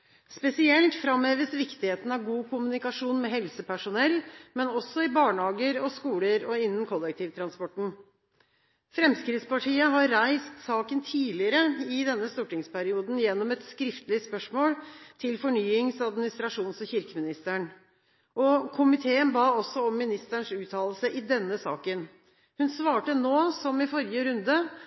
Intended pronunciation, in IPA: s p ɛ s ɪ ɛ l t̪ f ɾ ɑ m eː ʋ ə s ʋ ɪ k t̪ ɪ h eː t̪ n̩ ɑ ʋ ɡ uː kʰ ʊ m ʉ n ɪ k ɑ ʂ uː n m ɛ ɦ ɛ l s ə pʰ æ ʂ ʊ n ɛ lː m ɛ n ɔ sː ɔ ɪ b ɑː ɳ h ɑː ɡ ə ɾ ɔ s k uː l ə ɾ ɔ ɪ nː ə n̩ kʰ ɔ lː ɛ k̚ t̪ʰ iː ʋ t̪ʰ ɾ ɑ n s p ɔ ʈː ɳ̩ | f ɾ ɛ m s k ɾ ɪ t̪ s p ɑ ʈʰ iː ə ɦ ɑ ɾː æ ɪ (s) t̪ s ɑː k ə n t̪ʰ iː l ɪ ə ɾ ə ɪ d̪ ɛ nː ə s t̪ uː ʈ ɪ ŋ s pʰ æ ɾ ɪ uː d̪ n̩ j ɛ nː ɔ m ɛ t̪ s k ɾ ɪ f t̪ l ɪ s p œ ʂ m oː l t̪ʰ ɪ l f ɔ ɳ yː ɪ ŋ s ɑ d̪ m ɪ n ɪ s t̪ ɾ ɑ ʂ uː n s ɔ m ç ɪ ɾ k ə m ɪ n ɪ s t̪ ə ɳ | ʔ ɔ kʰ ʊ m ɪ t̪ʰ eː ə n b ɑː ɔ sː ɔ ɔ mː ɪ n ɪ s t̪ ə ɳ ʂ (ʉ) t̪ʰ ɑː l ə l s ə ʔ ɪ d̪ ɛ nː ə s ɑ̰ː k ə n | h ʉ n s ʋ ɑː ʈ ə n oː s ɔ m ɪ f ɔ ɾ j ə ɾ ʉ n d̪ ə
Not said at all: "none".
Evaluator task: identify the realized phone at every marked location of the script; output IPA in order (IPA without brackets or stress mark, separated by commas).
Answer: s, ʉː